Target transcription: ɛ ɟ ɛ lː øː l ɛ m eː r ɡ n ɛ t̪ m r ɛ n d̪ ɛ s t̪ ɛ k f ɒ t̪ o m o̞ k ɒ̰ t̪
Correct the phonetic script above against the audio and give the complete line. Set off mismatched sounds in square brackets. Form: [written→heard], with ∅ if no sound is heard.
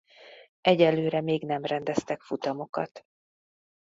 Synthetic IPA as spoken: ɛ ɟ ɛ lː øː [l→ɾ] ɛ m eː [r→∅] ɡ n ɛ [t̪→∅] m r ɛ n d̪ ɛ s t̪ ɛ k f [ɒ→u] t̪ [o→ɒ] m o̞ k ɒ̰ t̪